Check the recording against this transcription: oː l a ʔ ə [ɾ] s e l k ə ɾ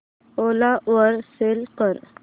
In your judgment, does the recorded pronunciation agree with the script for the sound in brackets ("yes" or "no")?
yes